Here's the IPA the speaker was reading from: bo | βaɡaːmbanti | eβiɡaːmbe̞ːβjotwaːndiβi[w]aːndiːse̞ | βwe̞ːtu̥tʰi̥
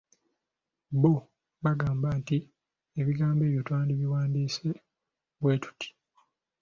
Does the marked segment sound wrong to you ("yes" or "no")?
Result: no